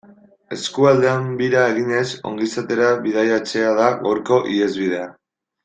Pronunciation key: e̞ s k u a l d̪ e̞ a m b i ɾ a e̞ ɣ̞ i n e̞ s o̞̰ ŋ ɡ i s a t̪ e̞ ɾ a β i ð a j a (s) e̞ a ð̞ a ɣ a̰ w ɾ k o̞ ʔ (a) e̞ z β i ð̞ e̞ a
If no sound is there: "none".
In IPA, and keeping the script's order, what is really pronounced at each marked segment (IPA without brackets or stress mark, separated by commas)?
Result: t͡s, i